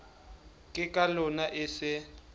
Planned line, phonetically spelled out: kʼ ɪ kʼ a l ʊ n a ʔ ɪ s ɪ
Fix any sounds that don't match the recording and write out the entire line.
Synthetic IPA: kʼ ɪ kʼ a l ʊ n a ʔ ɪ s ɪ